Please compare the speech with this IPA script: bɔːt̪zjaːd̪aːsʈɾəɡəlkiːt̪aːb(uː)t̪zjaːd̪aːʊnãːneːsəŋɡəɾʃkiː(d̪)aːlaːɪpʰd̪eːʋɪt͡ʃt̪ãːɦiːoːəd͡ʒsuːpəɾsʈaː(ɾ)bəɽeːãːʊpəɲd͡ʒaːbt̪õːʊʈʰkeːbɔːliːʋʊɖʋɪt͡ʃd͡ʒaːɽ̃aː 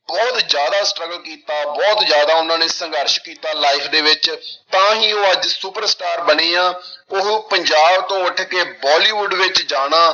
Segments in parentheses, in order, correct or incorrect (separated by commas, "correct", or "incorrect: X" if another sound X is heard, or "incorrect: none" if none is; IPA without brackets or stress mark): incorrect: ɔː, incorrect: t̪, correct